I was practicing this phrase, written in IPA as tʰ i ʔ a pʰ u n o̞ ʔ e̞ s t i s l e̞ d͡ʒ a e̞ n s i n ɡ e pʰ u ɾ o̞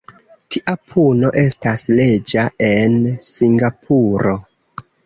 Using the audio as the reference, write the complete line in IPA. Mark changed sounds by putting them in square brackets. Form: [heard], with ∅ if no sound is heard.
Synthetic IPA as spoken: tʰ i ʔ a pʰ u n o̞ ʔ e̞ s t [a] s l e̞ d͡ʒ a e̞ n s i [ŋ] ɡ [a] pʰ u ɾ o̞